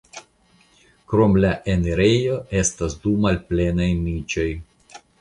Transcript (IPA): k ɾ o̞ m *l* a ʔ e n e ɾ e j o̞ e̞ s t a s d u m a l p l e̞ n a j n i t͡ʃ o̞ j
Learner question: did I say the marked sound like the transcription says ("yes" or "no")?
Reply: yes